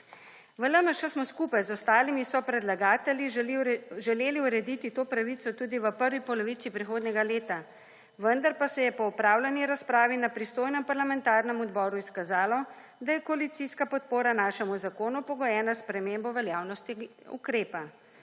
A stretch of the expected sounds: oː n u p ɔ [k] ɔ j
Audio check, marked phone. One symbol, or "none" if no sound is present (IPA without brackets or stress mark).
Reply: ɡ